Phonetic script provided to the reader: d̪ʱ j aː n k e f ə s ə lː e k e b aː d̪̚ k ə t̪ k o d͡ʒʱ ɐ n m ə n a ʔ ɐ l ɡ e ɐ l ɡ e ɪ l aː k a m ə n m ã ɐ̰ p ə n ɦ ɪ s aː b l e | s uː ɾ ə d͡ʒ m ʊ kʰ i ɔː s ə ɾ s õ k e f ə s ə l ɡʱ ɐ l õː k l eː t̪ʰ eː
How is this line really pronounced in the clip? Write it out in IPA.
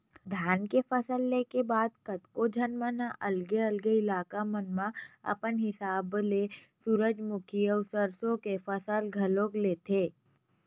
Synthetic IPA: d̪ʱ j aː n k e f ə s ə lː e k e b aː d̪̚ k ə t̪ k o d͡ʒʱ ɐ n m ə n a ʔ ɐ l ɡ e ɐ l ɡ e ɪ l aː k a m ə n m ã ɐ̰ p ə n ɦ ɪ s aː b l e | s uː ɾ ə d͡ʒ m ʊ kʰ i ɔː s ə ɾ s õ k e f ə s ə l ɡʱ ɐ l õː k l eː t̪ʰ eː